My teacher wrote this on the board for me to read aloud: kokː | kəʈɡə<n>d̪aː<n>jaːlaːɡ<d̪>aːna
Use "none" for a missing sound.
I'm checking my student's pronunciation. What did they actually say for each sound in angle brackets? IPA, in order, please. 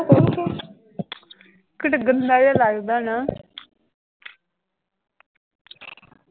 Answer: n, none, d̪

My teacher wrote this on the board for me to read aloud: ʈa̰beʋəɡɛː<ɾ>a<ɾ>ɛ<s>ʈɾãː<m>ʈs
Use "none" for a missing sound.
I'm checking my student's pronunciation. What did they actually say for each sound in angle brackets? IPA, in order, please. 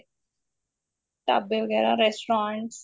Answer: ɾ, ɾ, s, ɳ

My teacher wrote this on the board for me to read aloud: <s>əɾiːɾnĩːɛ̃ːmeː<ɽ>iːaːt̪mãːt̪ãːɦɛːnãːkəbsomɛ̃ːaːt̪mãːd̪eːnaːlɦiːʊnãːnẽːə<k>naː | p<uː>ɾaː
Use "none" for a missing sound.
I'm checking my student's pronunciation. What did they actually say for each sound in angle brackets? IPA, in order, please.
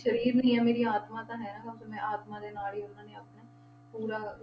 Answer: ʃ, ɾ, p, uː

